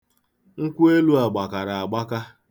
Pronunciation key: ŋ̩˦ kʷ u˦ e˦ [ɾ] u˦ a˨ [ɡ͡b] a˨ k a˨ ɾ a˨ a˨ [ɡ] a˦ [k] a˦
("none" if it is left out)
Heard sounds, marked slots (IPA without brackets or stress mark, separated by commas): l, ɡ͡b, ɡ͡b, k